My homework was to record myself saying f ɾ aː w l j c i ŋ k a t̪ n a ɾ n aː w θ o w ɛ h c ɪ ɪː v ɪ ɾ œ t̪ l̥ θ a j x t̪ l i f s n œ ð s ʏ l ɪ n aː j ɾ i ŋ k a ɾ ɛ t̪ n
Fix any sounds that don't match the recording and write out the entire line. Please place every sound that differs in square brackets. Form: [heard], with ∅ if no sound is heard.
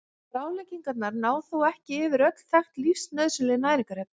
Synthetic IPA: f ɾ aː w l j c i ŋ k a t̪ n a ɾ n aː w θ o w ɛ h c ɪ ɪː v ɪ ɾ œ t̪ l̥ θ a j x t̪ l i f s n œ ð s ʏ l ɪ n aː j ɾ i ŋ k a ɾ ɛ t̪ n